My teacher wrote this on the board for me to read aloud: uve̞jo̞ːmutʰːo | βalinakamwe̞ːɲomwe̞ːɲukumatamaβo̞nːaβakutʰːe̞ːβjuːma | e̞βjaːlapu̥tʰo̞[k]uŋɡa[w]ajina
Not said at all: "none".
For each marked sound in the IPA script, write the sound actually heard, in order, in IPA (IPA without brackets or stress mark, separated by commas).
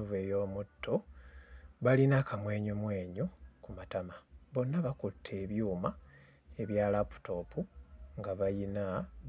p, β